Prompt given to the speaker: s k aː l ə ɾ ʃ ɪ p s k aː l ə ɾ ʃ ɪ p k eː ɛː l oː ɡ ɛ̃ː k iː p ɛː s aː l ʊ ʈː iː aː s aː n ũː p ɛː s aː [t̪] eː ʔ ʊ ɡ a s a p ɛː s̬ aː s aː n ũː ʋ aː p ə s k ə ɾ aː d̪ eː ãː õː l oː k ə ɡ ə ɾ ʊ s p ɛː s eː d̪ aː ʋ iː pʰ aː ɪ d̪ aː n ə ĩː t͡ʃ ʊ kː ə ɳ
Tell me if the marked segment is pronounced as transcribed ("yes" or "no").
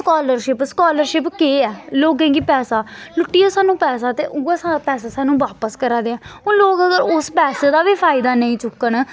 yes